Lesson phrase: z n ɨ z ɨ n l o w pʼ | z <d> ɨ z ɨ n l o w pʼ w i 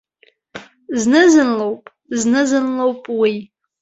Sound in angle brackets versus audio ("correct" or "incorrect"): incorrect